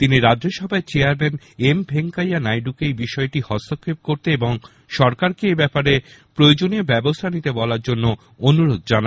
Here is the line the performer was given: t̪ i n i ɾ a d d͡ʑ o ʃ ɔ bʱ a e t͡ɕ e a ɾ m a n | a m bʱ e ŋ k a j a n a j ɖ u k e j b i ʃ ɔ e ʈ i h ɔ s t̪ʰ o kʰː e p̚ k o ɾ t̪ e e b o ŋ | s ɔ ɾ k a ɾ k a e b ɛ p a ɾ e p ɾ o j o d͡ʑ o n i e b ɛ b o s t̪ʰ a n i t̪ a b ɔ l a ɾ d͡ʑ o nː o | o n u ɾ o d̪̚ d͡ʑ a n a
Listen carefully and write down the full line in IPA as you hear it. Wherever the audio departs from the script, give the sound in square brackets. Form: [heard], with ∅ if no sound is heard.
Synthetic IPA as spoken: t̪ i n i ɾ a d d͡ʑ o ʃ ɔ bʱ a e t͡ɕ e a ɾ m [e] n | [e] m bʱ e ŋ k a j a n a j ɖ u k e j b i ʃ ɔ e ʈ i h ɔ s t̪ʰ o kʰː e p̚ k o ɾ t̪ e e b o ŋ | [ʃ] ɔ ɾ k a ɾ k [e] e b ɛ p a ɾ e p ɾ o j o d͡ʑ o n i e b ɛ b o s t̪ʰ a n i t̪ [e] b ɔ l a ɾ d͡ʑ o nː o | o n u ɾ o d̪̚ d͡ʑ a n a